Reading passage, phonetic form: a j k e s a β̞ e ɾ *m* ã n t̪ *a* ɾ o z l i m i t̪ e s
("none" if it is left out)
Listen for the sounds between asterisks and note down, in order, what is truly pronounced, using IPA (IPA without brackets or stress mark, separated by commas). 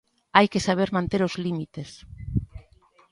m, e